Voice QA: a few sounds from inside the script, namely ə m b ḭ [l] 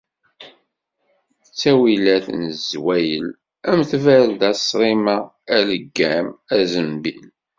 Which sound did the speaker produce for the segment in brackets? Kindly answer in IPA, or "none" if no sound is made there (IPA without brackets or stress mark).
l